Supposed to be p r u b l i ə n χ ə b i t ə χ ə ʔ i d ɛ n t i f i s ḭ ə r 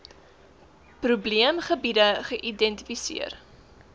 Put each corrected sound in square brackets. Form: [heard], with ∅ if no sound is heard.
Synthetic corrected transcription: p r u b l i ə [m] χ ə b i [d] ə χ ə ʔ i d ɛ n t i f i s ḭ ə r